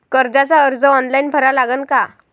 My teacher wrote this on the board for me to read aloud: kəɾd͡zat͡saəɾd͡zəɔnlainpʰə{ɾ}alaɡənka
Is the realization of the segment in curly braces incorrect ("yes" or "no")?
no